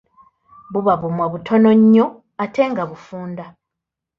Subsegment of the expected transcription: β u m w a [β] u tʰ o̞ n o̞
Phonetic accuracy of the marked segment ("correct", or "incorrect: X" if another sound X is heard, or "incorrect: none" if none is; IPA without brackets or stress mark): correct